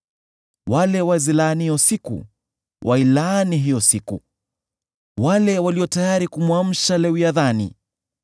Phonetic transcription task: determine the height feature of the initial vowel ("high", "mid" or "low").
low